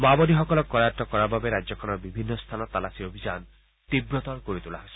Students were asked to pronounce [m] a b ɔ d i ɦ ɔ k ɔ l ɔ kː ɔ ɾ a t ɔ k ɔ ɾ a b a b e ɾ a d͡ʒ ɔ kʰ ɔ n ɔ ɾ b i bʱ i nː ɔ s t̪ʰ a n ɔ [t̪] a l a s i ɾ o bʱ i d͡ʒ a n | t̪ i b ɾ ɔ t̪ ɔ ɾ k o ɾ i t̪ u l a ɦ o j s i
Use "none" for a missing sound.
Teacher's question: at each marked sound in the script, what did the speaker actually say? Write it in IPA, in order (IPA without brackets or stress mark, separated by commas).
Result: m, t̪